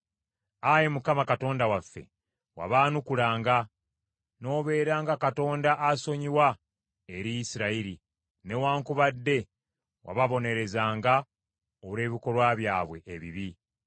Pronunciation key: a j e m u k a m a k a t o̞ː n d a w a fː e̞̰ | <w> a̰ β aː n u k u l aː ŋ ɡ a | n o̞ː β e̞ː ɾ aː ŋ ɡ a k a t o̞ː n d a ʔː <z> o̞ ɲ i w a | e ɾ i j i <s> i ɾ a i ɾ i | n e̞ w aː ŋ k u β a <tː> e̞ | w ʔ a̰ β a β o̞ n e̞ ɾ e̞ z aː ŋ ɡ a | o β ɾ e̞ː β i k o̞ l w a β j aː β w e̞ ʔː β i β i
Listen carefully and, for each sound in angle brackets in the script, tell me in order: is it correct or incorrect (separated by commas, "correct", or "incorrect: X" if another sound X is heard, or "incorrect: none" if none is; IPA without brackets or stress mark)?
correct, incorrect: s, correct, incorrect: dː